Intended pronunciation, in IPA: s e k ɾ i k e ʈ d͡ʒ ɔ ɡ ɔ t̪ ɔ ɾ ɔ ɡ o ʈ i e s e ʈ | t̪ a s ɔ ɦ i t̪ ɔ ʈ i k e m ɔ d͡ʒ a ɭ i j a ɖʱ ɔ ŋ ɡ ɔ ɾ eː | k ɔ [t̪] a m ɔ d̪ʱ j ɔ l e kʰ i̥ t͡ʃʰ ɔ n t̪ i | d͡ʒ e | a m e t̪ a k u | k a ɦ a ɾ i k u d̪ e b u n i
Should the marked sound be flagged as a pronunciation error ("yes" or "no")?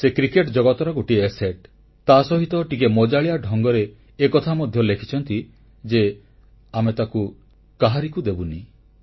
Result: yes